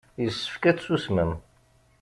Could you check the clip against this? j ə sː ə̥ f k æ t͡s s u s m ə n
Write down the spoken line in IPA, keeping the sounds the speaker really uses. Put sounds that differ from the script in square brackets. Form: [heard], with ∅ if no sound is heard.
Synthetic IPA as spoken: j ə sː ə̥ f k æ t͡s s u s m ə [m]